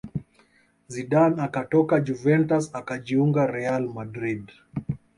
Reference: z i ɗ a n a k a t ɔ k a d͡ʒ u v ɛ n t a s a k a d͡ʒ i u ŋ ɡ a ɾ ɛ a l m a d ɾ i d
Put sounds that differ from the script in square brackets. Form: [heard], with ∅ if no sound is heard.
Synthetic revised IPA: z i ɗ a n a k a t ɔ k a d͡ʒ u v ɛ n t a s a k a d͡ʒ i u ŋ ɡ a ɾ ɛ a l m a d ɾ i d